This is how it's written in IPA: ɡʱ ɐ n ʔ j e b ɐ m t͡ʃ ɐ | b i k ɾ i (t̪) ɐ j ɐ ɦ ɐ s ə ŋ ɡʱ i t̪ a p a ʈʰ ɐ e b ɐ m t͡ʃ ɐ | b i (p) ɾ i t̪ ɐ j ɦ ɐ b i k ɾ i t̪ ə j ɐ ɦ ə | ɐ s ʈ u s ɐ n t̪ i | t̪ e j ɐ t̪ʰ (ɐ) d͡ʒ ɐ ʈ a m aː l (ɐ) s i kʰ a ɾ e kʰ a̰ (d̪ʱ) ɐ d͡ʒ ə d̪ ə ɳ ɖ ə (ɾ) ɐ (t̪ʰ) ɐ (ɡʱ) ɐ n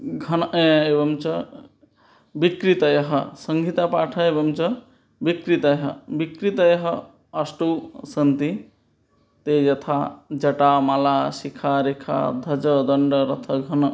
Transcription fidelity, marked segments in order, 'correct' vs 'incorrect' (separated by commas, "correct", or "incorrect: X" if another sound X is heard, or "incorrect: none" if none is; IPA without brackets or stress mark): correct, incorrect: k, incorrect: a, incorrect: a, correct, correct, correct, correct